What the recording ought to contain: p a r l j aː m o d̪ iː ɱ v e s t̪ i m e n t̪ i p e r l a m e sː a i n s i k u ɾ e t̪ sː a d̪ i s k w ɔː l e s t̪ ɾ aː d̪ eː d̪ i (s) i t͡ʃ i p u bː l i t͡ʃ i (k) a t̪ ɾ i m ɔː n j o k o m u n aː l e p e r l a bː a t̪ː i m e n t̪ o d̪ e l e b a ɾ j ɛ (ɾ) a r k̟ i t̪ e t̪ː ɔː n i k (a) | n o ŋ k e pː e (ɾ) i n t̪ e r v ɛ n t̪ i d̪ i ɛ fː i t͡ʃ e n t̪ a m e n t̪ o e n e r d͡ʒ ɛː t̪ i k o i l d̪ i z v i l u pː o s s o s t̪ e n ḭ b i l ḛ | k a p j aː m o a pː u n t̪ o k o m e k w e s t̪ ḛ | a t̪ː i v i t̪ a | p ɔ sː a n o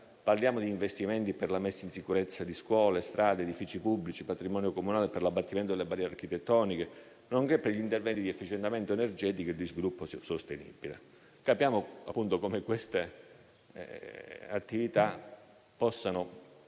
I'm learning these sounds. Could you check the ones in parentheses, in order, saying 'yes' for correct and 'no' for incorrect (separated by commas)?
no, no, yes, no, no